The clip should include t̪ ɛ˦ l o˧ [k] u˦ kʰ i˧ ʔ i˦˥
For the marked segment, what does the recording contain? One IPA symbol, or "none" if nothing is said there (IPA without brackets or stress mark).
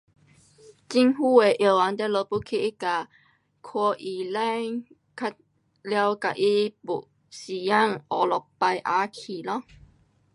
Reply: p